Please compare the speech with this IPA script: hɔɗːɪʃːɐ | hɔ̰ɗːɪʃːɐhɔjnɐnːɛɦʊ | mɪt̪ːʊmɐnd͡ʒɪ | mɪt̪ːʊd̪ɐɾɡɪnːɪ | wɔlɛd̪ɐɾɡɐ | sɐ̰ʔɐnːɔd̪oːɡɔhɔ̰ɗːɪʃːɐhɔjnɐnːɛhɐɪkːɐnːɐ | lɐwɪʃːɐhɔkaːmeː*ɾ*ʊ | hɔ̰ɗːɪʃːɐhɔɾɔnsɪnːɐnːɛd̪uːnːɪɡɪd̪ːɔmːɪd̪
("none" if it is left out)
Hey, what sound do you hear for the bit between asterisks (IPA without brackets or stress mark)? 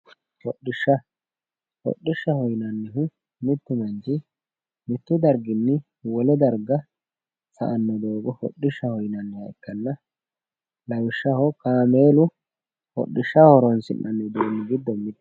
l